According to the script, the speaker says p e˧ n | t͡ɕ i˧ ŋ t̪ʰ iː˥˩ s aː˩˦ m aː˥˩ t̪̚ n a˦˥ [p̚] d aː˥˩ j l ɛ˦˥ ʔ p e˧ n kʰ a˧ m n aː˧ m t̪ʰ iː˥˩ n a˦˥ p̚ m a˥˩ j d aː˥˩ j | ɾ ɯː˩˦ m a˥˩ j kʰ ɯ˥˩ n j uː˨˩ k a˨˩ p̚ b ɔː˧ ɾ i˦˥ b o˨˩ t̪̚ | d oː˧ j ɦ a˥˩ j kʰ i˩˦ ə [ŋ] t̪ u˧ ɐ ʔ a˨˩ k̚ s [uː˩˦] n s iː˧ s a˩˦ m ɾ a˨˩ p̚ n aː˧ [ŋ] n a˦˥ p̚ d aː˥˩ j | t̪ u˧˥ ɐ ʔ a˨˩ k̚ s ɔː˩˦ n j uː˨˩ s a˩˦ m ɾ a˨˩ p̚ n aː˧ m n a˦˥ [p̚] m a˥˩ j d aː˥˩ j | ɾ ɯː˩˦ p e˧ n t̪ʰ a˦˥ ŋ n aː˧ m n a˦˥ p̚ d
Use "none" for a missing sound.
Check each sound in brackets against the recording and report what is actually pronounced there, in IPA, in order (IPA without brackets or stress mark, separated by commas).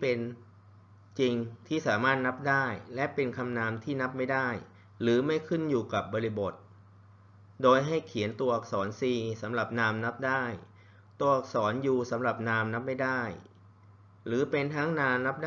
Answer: p̚, n, ɔː˩˦, m, p̚